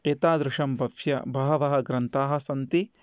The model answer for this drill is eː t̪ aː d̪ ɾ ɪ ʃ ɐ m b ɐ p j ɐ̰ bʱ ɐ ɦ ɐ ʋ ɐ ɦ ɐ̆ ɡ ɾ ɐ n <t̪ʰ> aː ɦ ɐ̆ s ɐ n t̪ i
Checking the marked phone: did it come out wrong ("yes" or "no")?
yes